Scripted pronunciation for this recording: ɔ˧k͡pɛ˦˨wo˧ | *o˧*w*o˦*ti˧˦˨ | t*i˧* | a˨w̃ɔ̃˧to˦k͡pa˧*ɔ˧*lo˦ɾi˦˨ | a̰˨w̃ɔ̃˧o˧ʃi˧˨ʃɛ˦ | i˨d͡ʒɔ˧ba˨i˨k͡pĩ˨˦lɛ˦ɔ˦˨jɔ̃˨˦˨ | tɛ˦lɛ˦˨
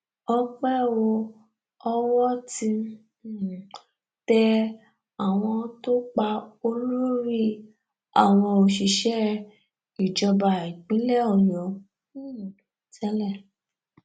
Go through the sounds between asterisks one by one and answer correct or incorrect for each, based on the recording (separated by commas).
incorrect, incorrect, incorrect, incorrect